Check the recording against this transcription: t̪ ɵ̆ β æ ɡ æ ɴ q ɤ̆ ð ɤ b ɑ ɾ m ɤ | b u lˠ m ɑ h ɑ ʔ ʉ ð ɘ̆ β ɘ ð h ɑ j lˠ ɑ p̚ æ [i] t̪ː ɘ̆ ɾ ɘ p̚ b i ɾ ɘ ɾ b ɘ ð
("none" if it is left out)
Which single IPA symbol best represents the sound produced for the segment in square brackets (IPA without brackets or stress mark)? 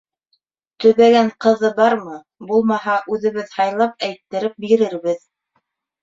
j